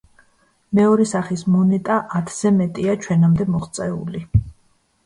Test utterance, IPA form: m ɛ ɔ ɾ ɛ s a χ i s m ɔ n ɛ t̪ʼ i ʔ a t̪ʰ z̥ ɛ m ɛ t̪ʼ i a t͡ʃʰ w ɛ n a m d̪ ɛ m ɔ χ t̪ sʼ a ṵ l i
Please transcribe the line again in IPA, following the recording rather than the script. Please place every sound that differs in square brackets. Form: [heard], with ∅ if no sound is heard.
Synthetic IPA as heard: m ɛ ɔ ɾ ɛ s a χ i s m ɔ n ɛ t̪ʼ [a] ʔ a t̪ʰ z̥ ɛ m ɛ t̪ʼ i a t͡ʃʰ w ɛ n a m d̪ ɛ m ɔ χ t̪ sʼ [ɛ] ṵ l i